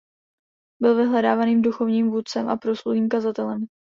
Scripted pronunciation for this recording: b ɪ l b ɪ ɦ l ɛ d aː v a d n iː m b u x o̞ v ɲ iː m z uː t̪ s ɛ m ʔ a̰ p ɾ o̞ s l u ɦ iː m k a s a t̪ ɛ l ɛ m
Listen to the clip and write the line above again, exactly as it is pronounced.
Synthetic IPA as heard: b ɪ l v ɪ ɦ l ɛ d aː v a n iː m d u x o̞ v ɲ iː m v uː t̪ t͡s ɛ m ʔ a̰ p ɾ o̞ s l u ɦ iː m k a z a t̪ ɛ l ɛ m